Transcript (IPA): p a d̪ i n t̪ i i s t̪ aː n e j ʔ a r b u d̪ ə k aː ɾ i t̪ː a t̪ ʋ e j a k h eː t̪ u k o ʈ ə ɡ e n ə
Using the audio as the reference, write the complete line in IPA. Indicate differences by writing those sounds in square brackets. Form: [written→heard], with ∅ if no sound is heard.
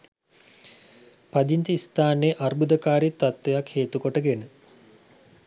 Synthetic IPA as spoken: p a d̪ i n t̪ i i s t̪ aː n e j ʔ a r b u d̪ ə k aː ɾ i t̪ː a t̪ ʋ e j a k h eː t̪ u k o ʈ ə ɡ e n ə